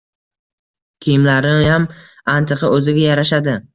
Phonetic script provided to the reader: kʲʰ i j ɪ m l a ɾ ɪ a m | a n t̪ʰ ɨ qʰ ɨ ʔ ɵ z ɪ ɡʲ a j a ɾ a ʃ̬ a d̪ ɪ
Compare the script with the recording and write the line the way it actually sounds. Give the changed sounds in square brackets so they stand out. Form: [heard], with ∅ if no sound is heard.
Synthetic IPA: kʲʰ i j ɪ m l a ɾ ɪ a m | a n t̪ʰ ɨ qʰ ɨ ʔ ɵ z ɪ ɡʲ a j a ɾ a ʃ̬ a d̪ ɪ